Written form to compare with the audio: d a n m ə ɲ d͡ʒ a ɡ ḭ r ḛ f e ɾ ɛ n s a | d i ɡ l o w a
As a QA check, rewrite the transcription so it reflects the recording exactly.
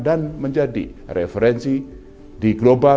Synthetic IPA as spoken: d a n m ə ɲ d͡ʒ a d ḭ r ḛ f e ɾ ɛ n s i | d i ɡ l o b a